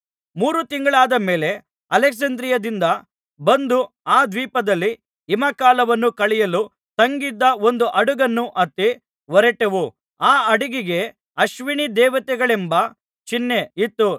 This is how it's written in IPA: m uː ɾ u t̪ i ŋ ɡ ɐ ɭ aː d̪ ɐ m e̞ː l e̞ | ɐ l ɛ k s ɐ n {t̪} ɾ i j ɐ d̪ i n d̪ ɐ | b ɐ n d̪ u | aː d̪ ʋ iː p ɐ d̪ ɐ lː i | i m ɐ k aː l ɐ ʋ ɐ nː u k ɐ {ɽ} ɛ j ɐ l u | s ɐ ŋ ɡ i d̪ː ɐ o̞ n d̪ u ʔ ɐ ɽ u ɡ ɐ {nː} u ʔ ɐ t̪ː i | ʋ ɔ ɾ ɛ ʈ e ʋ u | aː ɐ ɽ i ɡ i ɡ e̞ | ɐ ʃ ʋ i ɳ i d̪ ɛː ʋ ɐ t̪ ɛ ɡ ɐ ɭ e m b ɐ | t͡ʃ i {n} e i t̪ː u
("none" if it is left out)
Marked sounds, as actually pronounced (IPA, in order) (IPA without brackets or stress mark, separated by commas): d̪, ɭ, nː, nː